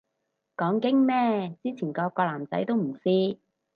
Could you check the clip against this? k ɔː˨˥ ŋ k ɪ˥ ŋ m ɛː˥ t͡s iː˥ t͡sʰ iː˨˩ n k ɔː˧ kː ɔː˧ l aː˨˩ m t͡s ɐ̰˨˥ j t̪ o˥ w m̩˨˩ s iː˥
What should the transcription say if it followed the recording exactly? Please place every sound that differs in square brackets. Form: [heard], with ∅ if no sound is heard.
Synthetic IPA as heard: k ɔː˨˥ ŋ k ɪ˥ ŋ m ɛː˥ t͡s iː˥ t͡sʰ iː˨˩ n k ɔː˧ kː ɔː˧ l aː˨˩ m t͡s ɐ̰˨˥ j t̪ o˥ w m̩˨˩ s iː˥

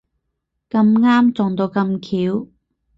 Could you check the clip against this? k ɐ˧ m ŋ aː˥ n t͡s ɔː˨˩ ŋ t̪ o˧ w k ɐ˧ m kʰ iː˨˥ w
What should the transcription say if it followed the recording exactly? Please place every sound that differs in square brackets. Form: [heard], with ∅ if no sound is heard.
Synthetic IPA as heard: k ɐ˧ m ŋ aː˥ [m] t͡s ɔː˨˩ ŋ t̪ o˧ w k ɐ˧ m kʰ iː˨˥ w

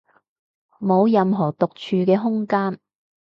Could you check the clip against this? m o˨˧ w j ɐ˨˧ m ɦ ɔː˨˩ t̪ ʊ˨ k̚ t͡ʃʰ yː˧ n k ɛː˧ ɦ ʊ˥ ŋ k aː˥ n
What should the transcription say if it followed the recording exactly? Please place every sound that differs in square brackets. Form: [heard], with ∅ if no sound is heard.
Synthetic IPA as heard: m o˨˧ w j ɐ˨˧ m ɦ ɔː˨˩ t̪ ʊ˨ k̚ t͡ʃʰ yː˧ [∅] k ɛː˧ ɦ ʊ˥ ŋ k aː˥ n

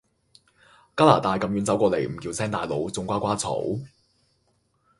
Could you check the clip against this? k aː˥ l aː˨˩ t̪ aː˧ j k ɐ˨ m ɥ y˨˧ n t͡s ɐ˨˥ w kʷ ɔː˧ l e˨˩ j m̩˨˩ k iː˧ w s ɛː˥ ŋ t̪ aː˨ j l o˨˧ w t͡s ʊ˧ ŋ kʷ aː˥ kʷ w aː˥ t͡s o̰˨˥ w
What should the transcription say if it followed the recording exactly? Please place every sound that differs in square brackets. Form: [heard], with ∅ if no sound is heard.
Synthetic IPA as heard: k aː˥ l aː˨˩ t̪ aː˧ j k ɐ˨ m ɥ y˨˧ n t͡s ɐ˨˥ w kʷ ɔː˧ l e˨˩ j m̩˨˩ k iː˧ w s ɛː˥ ŋ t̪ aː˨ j l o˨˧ w t͡s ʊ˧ ŋ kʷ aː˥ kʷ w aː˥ [t͡sʰ] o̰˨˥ w

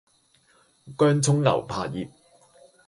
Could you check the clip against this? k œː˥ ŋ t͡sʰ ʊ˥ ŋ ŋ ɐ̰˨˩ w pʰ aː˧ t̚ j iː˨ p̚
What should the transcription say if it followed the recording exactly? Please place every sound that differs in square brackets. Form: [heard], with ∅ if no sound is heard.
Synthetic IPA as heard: k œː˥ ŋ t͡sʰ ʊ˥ ŋ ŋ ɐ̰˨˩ w pʰ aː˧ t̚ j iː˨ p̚

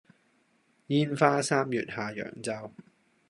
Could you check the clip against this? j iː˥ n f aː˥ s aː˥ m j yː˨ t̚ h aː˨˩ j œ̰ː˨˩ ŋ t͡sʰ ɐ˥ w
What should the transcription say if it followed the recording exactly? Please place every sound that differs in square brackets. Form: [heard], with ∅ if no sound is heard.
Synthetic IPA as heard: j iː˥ n f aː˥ s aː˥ m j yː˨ t̚ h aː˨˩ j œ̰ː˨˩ ŋ [t͡s] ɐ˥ w

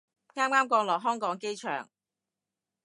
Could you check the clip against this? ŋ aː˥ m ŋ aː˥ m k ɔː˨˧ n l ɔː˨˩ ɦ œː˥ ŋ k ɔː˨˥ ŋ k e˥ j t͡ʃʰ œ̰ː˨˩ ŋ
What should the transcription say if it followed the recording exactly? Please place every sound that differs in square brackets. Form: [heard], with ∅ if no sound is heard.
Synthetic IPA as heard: ŋ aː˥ m ŋ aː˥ m k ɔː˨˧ [ŋ] l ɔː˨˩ ɦ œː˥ ŋ k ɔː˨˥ ŋ k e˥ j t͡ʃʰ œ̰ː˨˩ ŋ

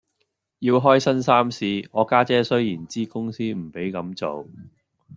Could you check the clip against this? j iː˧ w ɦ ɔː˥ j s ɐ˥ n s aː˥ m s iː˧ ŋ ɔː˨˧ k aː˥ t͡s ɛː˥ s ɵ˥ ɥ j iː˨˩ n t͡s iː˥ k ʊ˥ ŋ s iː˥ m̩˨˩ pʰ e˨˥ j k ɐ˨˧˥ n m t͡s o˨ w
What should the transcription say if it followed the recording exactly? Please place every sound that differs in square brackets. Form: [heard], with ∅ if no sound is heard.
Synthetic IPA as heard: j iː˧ w ɦ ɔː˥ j s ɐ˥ n s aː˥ m s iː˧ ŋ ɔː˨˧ k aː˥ t͡s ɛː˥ s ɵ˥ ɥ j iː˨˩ n t͡s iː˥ k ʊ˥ ŋ s iː˥ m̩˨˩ [p] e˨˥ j k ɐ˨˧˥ [∅] m t͡s o˨ w

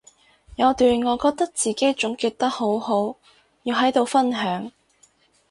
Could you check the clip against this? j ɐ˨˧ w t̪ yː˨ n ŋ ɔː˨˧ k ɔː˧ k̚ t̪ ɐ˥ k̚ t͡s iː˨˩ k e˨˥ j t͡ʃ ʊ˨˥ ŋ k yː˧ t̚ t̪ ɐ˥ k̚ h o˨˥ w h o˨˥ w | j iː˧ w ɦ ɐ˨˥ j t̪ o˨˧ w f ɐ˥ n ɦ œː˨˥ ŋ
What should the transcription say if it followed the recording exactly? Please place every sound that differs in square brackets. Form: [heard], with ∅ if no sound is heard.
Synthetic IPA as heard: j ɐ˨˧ w t̪ yː˨ n ŋ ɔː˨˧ k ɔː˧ k̚ t̪ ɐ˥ k̚ t͡s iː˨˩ k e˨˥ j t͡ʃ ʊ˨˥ ŋ k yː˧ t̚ t̪ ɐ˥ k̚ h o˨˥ w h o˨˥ w | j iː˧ w ɦ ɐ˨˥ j t̪ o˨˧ w f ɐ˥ n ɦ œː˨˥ ŋ

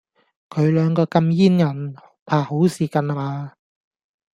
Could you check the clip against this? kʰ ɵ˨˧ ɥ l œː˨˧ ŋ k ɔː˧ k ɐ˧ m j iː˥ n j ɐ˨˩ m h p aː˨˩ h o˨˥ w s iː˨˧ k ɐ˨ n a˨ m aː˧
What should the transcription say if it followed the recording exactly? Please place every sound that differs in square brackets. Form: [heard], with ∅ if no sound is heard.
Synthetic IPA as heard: kʰ ɵ˨˧ ɥ l œː˨˧ ŋ k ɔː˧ k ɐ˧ m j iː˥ n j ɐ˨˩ [n] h [pʰ] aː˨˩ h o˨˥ w s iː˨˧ k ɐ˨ n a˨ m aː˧

